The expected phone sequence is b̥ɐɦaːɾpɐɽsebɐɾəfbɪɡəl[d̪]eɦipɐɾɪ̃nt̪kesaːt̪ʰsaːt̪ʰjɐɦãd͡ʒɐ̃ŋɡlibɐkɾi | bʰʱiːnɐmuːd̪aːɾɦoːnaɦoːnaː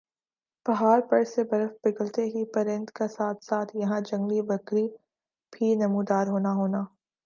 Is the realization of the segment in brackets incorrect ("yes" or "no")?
yes